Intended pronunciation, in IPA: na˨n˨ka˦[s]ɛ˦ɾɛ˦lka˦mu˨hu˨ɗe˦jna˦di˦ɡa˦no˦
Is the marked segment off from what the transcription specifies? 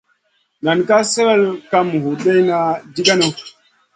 no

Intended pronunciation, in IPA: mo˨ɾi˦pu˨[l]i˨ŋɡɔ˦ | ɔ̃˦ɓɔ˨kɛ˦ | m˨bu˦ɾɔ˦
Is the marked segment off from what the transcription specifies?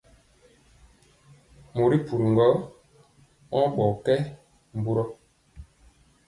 yes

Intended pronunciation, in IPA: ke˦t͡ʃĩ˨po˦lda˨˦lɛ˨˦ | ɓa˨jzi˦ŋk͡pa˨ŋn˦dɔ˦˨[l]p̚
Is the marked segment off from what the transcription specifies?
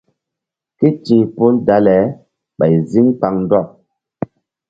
yes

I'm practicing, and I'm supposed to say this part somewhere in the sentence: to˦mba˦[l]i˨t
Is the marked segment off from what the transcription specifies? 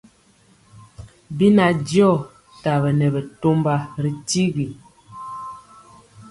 yes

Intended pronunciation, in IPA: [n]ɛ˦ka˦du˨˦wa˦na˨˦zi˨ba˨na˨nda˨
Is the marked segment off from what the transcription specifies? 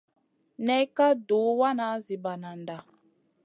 no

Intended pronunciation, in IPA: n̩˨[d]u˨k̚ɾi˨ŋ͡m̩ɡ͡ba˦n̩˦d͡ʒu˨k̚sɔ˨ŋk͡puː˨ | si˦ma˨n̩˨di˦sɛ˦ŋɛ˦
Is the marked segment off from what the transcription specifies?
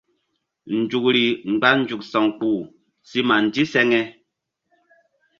yes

